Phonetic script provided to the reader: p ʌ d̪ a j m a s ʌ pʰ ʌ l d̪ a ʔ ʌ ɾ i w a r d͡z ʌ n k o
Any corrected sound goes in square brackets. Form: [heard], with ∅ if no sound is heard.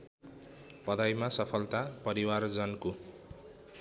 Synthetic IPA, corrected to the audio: p ʌ d̪ a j m a s ʌ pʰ ʌ l [t̪] a [p] ʌ ɾ i w a r d͡z ʌ n k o